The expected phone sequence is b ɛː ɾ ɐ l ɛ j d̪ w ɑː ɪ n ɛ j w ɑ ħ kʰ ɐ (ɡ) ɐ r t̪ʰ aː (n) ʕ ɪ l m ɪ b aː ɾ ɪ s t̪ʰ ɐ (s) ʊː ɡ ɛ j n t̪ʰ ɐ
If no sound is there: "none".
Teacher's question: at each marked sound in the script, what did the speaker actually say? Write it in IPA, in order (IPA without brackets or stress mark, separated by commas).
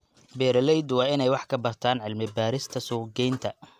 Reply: b, n, s